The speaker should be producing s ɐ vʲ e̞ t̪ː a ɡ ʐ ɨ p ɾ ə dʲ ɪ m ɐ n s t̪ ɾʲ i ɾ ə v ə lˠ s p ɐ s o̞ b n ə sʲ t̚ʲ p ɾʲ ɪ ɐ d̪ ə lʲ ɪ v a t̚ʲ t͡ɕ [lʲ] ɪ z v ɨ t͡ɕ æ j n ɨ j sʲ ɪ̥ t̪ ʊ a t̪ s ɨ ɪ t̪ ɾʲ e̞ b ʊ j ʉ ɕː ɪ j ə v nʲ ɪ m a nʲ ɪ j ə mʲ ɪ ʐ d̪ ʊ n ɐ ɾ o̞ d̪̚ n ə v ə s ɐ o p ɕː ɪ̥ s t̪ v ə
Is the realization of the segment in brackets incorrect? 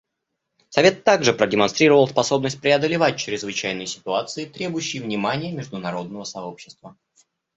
yes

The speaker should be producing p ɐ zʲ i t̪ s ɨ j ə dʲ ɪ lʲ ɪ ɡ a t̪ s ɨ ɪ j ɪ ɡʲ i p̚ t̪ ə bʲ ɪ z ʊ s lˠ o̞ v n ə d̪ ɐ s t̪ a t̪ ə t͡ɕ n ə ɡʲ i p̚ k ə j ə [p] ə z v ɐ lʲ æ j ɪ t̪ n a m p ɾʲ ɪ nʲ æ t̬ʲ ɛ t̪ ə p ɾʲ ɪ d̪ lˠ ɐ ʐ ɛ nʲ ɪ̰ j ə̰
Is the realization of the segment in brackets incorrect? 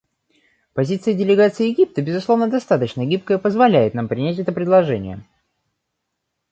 no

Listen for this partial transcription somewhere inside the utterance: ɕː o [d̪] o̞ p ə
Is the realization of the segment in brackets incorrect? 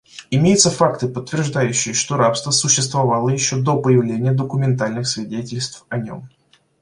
no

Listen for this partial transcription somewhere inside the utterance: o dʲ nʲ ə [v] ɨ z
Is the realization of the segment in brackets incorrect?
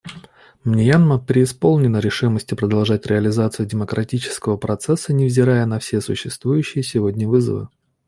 no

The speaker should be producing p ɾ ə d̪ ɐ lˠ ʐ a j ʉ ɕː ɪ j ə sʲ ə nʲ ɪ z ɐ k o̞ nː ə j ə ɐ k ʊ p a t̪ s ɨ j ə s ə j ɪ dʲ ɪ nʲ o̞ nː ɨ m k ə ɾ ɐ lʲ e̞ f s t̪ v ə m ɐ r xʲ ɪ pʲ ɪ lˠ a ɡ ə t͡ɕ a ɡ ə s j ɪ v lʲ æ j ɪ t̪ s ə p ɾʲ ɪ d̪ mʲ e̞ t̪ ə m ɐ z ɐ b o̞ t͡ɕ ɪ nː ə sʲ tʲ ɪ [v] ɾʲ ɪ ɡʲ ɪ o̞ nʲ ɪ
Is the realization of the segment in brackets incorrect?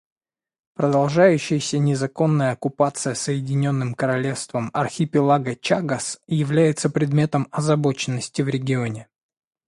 no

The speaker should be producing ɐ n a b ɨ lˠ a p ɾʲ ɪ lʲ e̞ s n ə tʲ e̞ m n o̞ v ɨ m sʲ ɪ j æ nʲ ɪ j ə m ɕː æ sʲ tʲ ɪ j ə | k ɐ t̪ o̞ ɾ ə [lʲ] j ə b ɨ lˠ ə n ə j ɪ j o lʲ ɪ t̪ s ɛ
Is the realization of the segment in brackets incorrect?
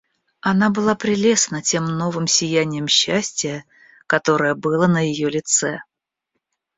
yes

